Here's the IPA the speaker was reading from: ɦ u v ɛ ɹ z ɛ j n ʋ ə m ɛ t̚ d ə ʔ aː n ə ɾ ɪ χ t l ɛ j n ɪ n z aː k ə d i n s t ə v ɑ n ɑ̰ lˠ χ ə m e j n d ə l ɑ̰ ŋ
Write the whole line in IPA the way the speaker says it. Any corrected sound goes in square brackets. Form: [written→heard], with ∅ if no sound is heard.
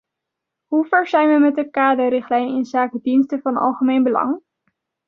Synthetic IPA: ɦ u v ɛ ɹ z ɛ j n ʋ ə m ɛ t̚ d ə [ʔ→k] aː [n→d] ə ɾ ɪ χ t l ɛ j n ɪ n z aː k ə d i n s t ə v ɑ n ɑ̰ lˠ χ ə m e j n [d→b] ə l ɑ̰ ŋ